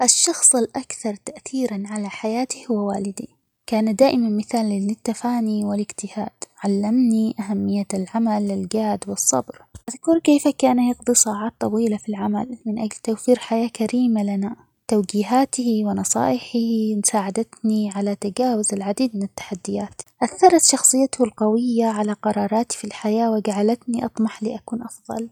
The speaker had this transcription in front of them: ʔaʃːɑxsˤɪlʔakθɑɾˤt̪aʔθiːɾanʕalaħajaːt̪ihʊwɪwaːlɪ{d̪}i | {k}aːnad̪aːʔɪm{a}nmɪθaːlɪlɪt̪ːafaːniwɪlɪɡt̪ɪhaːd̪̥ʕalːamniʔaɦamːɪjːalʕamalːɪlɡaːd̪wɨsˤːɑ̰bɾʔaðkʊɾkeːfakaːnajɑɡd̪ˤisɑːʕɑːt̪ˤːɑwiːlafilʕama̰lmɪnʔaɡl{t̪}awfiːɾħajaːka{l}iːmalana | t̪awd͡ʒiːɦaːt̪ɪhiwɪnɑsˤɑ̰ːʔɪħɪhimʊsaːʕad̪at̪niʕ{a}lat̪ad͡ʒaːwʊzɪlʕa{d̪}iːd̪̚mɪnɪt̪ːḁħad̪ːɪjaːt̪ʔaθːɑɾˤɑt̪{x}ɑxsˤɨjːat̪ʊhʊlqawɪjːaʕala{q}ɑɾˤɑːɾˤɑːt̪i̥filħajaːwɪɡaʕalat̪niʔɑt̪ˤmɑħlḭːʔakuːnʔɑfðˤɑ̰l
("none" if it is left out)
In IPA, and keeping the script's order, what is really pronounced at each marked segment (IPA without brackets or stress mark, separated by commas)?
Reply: d̪, k, a, t̪, ɾ, a, d̪, ʃ, q